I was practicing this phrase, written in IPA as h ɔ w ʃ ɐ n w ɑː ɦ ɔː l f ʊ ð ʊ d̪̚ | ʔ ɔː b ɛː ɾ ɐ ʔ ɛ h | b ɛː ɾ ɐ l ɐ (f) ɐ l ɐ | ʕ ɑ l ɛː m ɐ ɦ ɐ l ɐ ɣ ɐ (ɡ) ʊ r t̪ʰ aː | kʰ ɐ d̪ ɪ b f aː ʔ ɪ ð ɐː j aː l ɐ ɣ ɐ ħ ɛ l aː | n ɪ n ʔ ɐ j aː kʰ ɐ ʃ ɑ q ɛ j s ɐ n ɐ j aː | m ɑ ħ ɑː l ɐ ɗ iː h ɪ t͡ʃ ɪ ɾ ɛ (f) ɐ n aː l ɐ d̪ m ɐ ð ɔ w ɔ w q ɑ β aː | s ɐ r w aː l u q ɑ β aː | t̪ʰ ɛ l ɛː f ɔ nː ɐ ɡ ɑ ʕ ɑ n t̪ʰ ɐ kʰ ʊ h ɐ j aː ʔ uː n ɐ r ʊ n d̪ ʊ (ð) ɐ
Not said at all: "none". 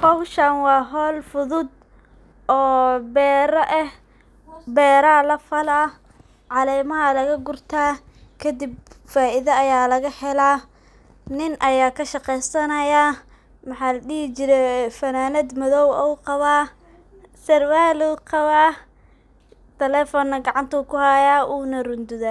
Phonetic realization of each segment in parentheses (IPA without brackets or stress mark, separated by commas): f, ɡ, f, ð